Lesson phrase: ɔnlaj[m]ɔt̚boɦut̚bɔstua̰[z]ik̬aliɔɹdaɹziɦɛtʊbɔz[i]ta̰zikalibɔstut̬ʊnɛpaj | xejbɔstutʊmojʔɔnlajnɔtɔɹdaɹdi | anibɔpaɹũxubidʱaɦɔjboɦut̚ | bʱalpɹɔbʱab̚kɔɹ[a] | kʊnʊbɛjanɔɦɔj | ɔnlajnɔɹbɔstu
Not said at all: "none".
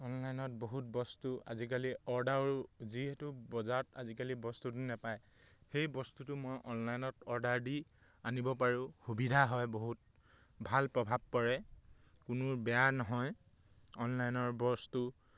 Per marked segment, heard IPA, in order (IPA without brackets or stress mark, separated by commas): n, z, a, ɛ